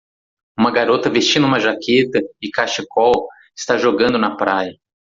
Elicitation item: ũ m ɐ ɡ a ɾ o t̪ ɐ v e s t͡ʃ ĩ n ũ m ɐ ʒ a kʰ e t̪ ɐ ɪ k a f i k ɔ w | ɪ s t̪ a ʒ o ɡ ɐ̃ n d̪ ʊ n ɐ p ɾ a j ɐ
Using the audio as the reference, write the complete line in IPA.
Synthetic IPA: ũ m ɐ ɡ a ɾ o t̪ ɐ v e s t͡ʃ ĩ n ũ m ɐ ʒ a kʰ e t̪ ɐ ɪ k a ʃ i k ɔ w | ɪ s t̪ a ʒ o ɡ ɐ̃ n d̪ ʊ n ɐ p ɾ a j ɐ